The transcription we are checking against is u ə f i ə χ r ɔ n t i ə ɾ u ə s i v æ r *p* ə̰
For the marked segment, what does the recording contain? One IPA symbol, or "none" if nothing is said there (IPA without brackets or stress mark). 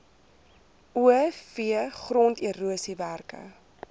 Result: k